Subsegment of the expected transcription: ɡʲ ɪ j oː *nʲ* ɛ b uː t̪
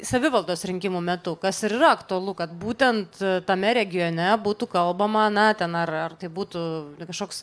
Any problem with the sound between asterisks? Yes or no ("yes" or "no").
no